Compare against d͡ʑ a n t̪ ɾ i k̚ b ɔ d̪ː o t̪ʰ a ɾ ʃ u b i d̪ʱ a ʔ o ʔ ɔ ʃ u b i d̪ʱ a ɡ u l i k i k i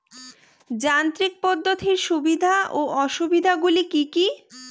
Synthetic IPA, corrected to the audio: d͡ʑ a n t̪ ɾ i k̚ p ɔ d̪ː o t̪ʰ i ɾ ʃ u b i d̪ʱ a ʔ o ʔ ɔ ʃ u b i d̪ʱ a ɡ u l i k i k i